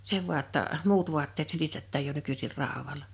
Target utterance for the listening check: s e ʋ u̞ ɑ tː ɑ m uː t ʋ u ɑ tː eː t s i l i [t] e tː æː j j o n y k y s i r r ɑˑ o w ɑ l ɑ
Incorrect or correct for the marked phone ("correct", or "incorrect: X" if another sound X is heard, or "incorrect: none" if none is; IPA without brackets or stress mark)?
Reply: correct